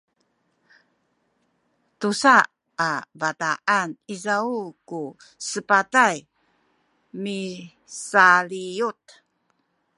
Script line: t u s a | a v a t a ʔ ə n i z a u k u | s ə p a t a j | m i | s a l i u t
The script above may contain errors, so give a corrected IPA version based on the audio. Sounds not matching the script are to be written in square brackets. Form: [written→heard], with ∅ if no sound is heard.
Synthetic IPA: t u s a | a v a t a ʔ [ə→a] n i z a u k u | s ə p a t a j | m i | s a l i u t

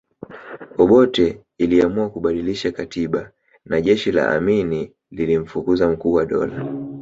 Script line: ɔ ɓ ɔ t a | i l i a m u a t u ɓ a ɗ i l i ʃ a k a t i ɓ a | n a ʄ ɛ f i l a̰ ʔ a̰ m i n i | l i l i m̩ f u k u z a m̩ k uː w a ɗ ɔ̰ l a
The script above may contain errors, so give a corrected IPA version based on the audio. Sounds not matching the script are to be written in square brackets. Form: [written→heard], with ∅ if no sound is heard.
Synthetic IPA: ɔ ɓ ɔ t [a→ɛ] | i l i a m u a [t→k] u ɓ a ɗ i l i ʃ a k a t i ɓ a | n a ʄ ɛ [f→ʃ] i l a̰ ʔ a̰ m i n i | l i l i m̩ f u k u z a m̩ k uː w a ɗ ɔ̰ l a

